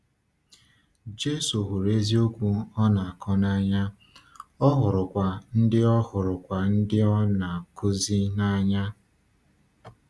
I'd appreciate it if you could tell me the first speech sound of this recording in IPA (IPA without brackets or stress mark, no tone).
d͡ʒ